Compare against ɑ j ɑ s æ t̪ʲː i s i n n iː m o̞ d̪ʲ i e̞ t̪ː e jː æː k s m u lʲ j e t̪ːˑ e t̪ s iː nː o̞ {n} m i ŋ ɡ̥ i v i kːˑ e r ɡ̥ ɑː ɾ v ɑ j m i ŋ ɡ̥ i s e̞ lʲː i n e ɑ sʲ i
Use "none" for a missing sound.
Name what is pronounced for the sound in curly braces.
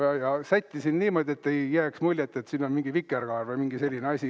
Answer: n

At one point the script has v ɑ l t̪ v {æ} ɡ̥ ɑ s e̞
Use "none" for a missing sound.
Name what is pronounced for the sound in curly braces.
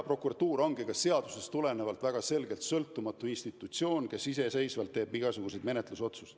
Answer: æ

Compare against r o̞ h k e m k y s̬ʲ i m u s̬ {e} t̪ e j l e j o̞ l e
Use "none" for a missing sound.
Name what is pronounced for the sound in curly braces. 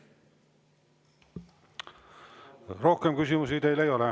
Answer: i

